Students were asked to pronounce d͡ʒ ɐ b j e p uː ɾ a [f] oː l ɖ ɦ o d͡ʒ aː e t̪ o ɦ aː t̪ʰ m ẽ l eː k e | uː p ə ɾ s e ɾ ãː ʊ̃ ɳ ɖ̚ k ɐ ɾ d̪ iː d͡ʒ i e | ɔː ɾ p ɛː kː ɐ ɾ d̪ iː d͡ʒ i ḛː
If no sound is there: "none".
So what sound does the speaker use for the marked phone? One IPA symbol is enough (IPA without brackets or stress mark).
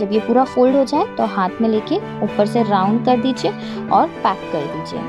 f